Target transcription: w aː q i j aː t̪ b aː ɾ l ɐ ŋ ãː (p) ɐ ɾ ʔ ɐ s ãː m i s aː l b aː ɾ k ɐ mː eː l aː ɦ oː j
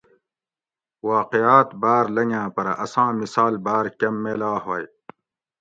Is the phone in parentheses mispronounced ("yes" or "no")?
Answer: no